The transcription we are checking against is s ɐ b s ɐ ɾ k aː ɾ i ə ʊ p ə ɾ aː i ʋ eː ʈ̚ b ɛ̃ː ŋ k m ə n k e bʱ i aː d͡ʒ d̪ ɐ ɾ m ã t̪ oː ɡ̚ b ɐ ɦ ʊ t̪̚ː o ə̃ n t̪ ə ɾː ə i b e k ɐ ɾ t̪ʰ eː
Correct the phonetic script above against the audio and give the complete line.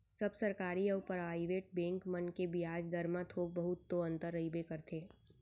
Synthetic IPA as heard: s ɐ b s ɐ ɾ k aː ɾ i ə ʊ p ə ɾ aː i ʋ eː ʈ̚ b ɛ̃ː ŋ k m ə n k e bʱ i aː d͡ʒ d̪ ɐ ɾ m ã t̪ʰ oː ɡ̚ b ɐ ɦ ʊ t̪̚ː o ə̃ n t̪ ə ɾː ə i b e k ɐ ɾ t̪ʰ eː